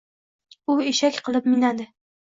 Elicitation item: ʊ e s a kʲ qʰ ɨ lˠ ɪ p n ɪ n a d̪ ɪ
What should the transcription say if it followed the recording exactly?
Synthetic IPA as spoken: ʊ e ʃ a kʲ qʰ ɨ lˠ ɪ p m ɪ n a d̪ ɪ